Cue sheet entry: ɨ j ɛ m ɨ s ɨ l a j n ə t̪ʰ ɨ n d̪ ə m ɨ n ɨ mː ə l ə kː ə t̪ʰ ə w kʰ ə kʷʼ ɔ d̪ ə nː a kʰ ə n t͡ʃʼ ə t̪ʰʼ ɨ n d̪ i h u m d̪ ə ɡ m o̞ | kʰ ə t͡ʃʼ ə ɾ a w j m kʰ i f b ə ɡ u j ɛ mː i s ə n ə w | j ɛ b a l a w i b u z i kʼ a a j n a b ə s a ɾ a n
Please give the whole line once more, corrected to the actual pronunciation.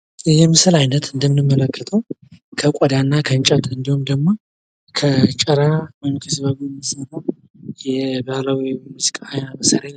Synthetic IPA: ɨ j ɛ m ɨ s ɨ l a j n ə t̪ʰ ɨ n d̪ ə m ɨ n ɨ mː ə l ə kː ə t̪ʰ ə w kʰ ə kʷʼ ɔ d̪ a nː a kʰ ə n t͡ʃʼ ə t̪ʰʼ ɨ n d̪ i h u m d̪ ə ɡ m o̞ | kʰ ə t͡ʃʼ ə ɾ a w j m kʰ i s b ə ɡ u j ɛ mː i s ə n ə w | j ɛ b a l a w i m u z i kʼ a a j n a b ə s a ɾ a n